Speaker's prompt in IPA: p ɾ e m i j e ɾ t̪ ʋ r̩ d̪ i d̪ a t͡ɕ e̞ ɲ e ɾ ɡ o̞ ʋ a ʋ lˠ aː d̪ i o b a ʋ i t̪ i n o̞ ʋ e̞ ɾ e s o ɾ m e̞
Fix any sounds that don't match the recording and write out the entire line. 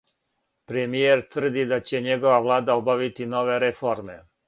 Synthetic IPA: p ɾ e m i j e ɾ t̪ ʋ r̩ d̪ i d̪ a t͡ɕ e̞ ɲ e ɡ o̞ ʋ a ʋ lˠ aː d̪ a o b a ʋ i t̪ i n o̞ ʋ e̞ ɾ e f o ɾ m e̞